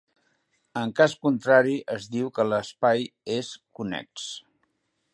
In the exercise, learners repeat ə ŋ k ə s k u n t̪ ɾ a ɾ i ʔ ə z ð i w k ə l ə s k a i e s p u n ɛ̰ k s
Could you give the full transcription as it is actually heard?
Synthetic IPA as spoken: ə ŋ k a s k u n t̪ ɾ a ɾ i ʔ ə z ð i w k ə l ə s p a j e s k u n ɛ̰ k s

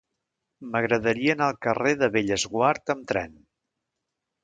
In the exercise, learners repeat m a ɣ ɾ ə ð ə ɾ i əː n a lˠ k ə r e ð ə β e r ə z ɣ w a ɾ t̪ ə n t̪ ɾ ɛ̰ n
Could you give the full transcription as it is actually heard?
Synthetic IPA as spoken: m ə ɣ ɾ ə ð ə ɾ i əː n a lˠ k ə r e ð ə β e ʎ ə z ɣ w a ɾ t̪ ə m t̪ ɾ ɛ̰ n

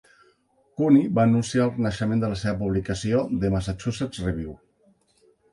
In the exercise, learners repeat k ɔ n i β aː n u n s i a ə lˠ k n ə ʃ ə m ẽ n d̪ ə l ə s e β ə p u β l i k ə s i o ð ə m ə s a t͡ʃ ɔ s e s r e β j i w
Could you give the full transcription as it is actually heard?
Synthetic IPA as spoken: k u n i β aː n u n s i a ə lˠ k n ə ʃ ə m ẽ n d̪ ə l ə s e β ə p u β l i k ə s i o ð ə m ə s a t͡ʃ u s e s r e β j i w

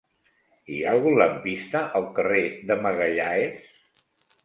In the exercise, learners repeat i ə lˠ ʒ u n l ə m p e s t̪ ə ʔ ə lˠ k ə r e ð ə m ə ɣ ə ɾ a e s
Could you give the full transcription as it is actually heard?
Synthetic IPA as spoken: i a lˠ ɣ u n l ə m p i s t̪ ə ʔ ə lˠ k ə r e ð ə m ə ɣ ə ʎ a e s

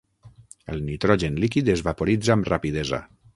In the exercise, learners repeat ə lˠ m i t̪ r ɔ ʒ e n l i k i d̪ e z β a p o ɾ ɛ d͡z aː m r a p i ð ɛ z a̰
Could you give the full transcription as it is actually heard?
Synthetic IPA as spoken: ə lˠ n i t̪ ɾ ɔ ʒ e n l i k i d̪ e z β a p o ɾ i d͡z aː m r a p i ð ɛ z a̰

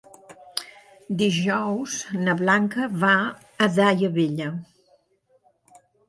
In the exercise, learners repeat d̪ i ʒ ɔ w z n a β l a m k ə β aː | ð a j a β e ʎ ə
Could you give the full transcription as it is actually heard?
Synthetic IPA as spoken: d̪ i ʒ ɔ w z n ə β l a ŋ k ə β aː | ð a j ə β e ʎ ə

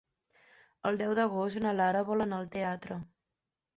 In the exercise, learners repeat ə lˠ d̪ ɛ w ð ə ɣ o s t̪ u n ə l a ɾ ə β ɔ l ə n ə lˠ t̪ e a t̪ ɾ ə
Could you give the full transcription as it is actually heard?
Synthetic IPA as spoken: ə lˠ d̪ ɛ w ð ə ɣ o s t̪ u n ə l a ɾ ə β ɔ l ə n ə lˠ t̪ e a t̪ ɾ ə

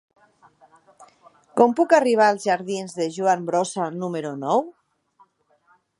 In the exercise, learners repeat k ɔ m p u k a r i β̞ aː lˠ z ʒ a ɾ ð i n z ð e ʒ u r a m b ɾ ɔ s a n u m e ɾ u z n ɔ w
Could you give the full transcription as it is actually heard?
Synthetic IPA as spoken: k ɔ m p u k a r i β̞ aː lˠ z ʒ a ɾ ð i n z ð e ʒ u a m b ɾ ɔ s a n u m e ɾ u n ɔ w

